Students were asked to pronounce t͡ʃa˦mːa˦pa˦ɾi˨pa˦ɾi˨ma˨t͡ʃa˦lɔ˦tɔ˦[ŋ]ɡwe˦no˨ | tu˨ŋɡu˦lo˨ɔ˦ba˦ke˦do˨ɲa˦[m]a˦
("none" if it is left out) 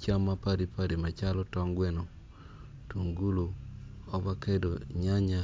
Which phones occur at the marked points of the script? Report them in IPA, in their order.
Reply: ŋ, ɲ

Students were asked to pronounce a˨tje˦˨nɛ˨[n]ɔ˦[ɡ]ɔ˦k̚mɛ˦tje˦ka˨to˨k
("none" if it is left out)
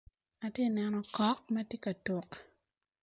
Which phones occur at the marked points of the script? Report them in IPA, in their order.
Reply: n, k

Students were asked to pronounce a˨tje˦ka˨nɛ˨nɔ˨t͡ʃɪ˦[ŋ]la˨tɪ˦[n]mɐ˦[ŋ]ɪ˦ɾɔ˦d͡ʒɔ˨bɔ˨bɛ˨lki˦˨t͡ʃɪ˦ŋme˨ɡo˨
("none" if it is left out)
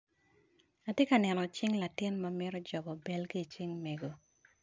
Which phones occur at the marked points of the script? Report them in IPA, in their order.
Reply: ŋ, n, m

